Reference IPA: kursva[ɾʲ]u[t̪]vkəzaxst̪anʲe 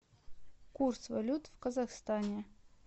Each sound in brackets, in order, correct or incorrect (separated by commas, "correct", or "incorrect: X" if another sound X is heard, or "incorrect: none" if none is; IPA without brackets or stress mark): incorrect: lʲ, correct